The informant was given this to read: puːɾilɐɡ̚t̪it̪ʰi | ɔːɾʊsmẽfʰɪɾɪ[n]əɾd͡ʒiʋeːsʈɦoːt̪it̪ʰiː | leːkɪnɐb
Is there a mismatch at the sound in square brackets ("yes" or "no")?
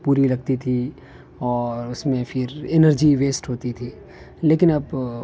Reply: no